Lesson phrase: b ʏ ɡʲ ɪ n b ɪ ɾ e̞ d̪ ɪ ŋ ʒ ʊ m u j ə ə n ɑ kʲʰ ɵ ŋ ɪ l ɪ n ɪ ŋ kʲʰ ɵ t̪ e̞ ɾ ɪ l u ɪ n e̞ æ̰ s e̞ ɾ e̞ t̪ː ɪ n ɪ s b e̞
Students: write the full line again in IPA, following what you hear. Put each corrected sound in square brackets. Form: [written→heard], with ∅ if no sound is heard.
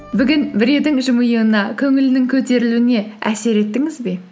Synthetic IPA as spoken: b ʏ ɡʲ ɪ n b ɪ ɾ e̞ d̪ ɪ ŋ ʒ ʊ m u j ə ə n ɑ kʲʰ ɵ ŋ ɪ l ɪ n ɪ ŋ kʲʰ ɵ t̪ e̞ ɾ ɪ l u ɪ n e̞ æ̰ s e̞ ɾ e̞ t̪ː ɪ [n→ŋ] ɪ [s→z] b e̞